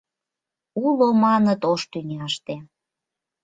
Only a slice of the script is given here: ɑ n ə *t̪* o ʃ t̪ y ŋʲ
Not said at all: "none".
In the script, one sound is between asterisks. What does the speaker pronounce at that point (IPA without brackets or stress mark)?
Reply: t̪